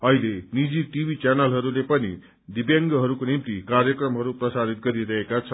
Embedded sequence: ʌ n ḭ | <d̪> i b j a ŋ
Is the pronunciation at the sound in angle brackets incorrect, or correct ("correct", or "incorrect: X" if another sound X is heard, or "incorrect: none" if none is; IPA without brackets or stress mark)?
correct